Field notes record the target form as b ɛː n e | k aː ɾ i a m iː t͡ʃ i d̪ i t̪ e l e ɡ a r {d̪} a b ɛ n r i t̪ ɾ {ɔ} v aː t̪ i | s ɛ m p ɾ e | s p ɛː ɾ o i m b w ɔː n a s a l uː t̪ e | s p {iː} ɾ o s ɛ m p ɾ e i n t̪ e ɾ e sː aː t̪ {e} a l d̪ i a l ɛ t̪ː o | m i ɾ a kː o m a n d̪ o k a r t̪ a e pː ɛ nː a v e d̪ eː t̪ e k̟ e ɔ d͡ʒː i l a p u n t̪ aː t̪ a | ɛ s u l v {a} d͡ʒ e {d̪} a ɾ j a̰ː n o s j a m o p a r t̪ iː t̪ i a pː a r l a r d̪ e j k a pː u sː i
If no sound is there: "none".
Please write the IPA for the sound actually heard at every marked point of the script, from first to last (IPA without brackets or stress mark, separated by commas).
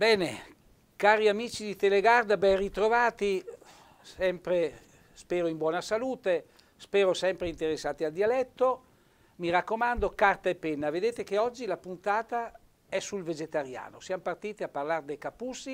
d̪, o, ɛː, i, e, t̪